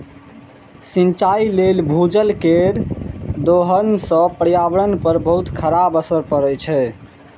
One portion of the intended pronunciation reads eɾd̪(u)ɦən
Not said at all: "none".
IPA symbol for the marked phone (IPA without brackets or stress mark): o